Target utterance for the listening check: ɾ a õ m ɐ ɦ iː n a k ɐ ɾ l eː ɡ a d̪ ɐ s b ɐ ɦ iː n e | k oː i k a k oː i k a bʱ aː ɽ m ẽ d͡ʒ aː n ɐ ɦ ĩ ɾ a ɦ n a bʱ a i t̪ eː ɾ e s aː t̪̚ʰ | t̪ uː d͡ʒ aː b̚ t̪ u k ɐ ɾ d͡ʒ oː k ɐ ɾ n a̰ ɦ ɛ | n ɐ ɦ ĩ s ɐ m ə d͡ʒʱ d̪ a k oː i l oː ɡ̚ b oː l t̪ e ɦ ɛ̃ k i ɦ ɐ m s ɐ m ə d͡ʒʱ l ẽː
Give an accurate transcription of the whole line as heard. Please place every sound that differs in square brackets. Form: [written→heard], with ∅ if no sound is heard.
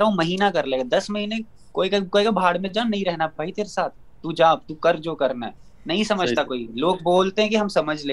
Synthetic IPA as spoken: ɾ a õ m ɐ ɦ iː n a k ɐ ɾ l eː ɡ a d̪ ɐ s [b→m] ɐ ɦ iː n e | k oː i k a k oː i k a bʱ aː ɽ m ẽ d͡ʒ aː n ɐ ɦ ĩ ɾ [a→ɛ] ɦ n a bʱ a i t̪ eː ɾ e s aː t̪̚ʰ | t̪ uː d͡ʒ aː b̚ t̪ u k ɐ ɾ d͡ʒ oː k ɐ ɾ n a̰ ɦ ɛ | n ɐ ɦ ĩ s ɐ m ə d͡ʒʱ [d̪→t̪] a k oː i l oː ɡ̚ b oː l t̪ e ɦ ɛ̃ k i ɦ ɐ m s ɐ m ə d͡ʒʱ l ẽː